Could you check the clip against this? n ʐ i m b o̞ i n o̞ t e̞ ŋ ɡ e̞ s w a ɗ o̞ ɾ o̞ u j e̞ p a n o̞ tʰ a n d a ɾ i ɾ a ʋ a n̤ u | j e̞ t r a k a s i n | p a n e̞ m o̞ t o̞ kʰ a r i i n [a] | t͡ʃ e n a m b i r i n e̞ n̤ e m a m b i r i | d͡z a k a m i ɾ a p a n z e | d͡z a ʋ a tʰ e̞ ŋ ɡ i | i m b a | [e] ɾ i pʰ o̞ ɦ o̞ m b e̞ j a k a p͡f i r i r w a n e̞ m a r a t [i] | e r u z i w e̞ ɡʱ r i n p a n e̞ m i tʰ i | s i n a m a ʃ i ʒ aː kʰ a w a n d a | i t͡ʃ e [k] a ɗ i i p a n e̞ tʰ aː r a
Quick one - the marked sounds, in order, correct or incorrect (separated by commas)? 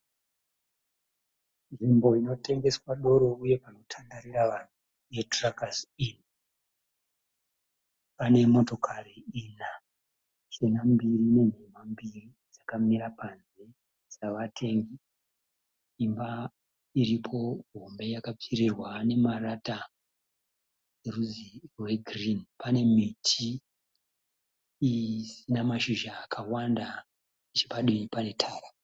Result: correct, incorrect, incorrect, incorrect